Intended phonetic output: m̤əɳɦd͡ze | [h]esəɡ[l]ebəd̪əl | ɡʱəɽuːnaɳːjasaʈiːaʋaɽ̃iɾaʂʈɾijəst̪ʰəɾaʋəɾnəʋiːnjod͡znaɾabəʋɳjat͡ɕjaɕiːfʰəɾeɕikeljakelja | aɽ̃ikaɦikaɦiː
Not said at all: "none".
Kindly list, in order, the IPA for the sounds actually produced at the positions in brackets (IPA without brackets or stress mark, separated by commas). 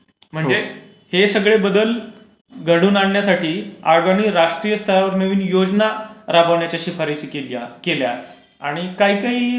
h, ɭ